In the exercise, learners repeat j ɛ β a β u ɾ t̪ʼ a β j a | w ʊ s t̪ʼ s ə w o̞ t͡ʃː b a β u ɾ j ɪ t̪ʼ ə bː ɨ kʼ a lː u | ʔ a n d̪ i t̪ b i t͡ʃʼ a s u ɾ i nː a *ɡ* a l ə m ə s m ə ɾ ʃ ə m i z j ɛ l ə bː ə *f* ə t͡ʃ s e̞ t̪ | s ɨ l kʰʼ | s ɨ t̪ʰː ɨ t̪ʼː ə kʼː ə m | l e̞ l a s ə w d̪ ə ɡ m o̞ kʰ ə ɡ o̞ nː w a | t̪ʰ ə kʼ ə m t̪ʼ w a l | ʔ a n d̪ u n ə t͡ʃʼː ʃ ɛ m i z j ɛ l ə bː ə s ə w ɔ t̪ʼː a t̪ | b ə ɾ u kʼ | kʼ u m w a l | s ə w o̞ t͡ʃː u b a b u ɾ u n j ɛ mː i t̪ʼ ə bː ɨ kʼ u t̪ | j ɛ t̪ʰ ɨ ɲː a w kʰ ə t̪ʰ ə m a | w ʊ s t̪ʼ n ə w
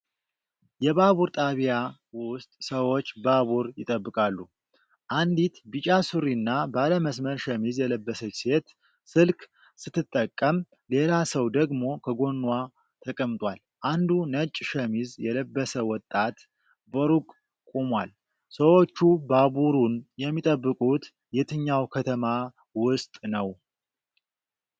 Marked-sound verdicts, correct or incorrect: incorrect: b, incorrect: s

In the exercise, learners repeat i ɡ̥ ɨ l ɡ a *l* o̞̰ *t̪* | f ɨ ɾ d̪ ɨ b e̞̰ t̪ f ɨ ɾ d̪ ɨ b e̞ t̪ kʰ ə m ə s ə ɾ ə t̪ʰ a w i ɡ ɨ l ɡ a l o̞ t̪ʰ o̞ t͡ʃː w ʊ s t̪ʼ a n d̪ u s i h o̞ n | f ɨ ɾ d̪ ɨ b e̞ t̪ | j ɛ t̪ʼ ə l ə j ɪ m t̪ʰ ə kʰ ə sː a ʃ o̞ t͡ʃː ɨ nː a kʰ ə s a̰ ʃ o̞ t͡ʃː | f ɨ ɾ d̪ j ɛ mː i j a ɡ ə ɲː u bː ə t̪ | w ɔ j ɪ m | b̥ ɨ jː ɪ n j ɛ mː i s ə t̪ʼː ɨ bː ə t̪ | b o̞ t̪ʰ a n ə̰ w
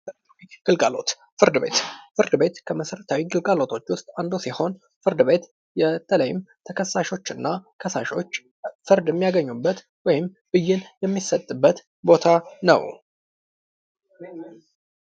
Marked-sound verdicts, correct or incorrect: correct, correct

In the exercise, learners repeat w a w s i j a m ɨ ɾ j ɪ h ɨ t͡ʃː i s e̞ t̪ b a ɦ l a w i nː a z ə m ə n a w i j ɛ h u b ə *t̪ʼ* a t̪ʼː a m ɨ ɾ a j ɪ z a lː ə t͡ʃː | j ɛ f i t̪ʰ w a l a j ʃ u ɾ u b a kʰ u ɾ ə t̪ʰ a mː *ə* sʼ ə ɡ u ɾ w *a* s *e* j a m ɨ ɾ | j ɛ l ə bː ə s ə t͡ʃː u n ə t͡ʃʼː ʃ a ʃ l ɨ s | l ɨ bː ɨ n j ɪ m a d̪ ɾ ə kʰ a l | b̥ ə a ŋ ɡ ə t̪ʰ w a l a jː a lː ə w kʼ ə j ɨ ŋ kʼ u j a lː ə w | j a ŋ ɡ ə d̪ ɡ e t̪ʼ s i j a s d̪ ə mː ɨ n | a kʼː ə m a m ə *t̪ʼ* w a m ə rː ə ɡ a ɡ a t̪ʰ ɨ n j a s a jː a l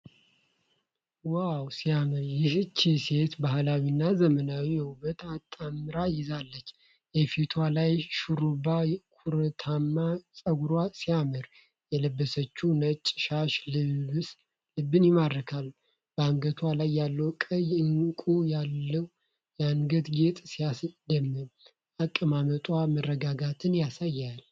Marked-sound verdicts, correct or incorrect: incorrect: t̪, incorrect: a, correct, incorrect: i, correct

